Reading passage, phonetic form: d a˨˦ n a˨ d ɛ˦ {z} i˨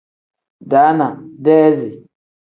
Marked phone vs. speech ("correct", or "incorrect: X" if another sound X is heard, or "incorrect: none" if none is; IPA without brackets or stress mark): correct